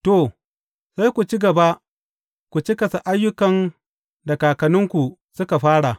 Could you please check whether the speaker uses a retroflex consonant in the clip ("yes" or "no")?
yes